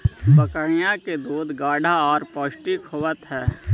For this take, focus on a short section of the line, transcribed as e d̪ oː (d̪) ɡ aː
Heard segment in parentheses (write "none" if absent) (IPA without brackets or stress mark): d̪